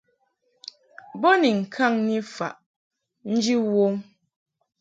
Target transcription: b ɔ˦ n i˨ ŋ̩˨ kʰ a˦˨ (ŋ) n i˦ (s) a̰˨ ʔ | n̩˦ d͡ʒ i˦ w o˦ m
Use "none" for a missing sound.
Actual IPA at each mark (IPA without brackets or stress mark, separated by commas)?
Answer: ŋ, f